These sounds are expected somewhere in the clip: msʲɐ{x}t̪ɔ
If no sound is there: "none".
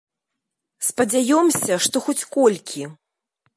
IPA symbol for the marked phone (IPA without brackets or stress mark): ʂ